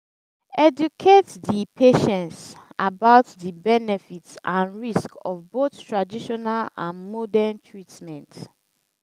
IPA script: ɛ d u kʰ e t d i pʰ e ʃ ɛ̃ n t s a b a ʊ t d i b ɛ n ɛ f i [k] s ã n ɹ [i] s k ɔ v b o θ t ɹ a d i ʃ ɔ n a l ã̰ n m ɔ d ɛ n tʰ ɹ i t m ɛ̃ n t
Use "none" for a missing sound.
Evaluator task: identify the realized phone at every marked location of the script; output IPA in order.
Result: t, i

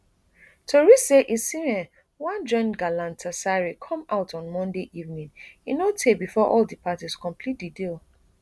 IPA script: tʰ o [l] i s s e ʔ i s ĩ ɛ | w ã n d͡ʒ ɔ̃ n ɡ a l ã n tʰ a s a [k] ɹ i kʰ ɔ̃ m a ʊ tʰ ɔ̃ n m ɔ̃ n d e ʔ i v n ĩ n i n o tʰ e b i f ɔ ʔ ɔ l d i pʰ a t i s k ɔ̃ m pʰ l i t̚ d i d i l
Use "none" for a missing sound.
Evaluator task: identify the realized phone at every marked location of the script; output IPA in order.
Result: ɹ, none

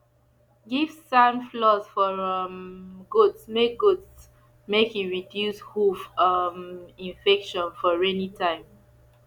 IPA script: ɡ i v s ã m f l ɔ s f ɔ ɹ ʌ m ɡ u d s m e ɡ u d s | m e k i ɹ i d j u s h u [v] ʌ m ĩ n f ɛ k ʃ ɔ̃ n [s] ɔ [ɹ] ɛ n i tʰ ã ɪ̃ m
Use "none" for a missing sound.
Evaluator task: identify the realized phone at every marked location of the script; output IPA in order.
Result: f, f, ɹ

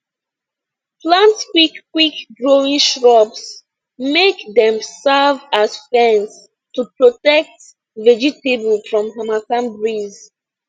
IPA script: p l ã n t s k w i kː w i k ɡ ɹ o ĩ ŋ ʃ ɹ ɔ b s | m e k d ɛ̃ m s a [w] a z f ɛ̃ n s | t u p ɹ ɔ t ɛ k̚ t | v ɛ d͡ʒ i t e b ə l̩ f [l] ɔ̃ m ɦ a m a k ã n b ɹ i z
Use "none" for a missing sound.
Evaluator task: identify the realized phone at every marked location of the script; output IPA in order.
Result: v, ɹ

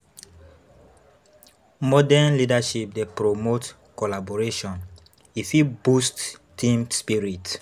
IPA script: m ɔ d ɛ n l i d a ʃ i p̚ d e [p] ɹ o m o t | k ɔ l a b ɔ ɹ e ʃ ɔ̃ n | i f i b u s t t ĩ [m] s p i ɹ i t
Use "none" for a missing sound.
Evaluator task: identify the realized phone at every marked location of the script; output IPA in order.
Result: p, m

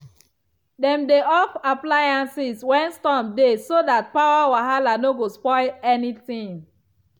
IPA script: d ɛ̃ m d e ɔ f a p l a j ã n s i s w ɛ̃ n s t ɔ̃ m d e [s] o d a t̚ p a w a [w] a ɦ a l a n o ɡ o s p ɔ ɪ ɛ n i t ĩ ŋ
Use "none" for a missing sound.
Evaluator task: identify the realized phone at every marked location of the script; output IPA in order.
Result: s, w

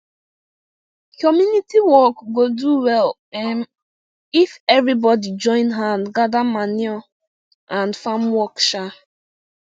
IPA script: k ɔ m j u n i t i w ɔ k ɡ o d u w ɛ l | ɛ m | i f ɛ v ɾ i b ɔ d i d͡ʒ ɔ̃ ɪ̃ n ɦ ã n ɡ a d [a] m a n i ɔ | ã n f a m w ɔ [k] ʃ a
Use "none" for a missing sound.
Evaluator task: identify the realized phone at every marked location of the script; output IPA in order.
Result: a, k

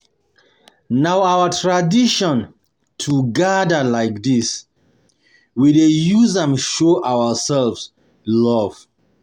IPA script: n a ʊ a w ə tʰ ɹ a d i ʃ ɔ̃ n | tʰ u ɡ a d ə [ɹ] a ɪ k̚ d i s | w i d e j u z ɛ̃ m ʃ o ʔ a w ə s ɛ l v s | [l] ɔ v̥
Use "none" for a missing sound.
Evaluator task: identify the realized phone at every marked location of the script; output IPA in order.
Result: l, l

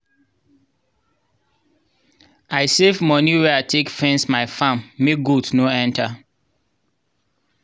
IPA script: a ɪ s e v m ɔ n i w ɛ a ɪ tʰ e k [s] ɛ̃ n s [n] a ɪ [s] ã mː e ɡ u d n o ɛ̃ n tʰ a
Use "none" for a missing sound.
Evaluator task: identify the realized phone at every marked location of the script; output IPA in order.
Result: f, m, f

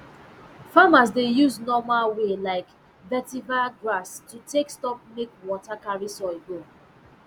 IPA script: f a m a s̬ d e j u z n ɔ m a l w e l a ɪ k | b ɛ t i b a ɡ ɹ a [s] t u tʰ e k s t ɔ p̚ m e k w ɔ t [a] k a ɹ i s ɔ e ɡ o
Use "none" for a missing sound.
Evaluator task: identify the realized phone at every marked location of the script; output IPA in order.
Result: s, a

